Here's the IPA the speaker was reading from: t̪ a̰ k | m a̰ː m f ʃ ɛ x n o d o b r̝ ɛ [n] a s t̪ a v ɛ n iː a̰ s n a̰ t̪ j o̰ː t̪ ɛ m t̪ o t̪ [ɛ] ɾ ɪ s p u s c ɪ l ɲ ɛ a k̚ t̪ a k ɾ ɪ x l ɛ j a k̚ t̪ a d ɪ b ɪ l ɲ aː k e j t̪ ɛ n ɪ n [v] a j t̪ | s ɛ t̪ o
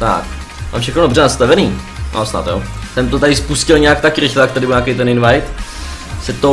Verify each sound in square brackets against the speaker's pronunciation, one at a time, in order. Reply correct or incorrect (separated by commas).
correct, incorrect, correct